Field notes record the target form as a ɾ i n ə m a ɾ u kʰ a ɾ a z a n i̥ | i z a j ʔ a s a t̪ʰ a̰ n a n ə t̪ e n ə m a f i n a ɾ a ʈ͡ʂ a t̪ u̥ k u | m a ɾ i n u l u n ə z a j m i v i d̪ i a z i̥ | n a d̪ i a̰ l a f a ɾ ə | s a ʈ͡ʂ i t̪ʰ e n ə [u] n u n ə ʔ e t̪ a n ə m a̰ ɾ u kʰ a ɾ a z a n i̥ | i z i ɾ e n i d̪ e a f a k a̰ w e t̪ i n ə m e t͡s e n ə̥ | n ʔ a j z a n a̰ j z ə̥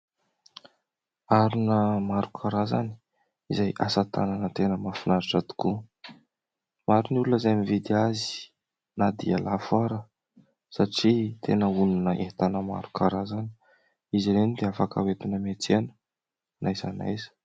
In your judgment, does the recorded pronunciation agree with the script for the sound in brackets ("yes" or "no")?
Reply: yes